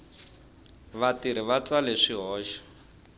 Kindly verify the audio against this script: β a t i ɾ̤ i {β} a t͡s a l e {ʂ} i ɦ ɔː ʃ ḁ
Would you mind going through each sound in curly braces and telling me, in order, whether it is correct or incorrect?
correct, correct

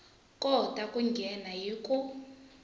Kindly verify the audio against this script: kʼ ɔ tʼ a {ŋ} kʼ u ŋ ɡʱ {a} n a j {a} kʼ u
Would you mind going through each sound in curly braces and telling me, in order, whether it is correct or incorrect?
incorrect: none, incorrect: ɛ, incorrect: i

